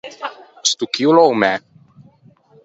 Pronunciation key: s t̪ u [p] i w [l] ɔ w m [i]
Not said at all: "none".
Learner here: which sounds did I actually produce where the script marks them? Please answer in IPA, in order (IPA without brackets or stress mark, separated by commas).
k, l, ɛ